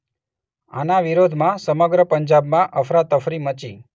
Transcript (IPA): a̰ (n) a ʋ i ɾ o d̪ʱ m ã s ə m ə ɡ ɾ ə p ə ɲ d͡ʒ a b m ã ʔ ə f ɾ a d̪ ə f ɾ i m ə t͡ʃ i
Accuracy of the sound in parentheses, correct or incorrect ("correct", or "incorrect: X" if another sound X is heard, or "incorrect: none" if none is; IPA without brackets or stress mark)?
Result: correct